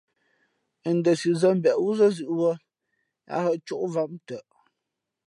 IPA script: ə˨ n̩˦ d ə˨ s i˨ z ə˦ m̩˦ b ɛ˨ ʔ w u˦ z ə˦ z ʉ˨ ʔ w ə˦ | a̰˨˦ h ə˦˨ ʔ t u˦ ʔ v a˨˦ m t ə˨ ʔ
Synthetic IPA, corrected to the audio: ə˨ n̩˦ d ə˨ s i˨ z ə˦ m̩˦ b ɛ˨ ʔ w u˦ z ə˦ z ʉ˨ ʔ w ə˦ | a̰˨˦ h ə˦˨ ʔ t͡ʃ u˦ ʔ v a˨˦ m t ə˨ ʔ